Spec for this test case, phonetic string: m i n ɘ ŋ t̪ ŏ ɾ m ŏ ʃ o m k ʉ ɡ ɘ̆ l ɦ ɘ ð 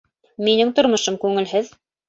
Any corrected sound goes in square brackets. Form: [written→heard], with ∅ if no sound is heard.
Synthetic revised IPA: m i n ɘ ŋ t̪ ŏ ɾ m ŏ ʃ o m k ʉ [ɡ→ŋ] ɘ̆ l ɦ ɘ ð